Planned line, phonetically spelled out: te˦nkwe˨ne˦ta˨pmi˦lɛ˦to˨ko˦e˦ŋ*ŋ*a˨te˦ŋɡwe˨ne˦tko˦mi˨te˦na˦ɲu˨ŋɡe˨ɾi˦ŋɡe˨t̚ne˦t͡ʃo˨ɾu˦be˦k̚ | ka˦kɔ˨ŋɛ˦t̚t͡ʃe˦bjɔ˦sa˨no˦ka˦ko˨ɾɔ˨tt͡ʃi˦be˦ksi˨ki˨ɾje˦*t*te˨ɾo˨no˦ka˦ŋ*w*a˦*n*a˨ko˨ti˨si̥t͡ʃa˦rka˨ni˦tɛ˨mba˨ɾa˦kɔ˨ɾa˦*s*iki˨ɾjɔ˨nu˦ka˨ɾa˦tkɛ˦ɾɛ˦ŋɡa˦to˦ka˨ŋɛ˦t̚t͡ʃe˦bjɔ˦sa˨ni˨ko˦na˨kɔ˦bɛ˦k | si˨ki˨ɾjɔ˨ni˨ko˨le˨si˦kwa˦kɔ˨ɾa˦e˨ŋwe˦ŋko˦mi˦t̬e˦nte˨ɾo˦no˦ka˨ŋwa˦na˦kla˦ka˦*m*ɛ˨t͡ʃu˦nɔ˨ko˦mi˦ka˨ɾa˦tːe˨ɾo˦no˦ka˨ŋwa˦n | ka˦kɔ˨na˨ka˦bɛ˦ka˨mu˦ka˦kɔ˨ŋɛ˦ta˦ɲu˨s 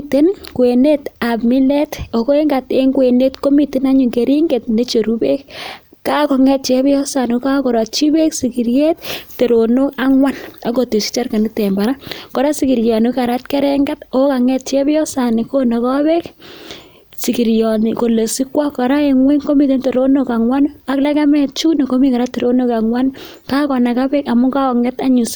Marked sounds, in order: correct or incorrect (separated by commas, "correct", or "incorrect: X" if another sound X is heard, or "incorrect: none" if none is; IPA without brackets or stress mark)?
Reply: incorrect: ɡ, correct, correct, correct, correct, correct